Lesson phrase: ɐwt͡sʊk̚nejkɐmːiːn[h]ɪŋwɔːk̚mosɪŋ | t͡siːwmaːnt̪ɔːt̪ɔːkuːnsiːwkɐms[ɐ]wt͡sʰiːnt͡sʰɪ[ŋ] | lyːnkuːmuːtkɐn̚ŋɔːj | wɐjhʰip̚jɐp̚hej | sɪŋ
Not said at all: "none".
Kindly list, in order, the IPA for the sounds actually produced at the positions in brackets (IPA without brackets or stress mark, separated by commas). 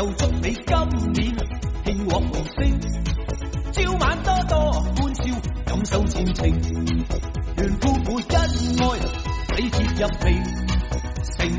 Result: h, ɐ, ŋ